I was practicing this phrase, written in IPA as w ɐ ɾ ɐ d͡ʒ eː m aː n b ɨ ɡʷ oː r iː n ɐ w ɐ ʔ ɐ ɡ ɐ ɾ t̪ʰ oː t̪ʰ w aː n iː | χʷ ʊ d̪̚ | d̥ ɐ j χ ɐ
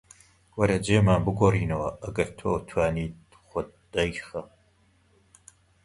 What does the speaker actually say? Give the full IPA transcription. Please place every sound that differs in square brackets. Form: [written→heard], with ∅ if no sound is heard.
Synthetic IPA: w ɐ ɾ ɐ d͡ʒ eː m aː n b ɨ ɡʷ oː r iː n ɐ w ɐ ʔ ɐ ɡ ɐ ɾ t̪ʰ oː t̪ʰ w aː n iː | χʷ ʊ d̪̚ | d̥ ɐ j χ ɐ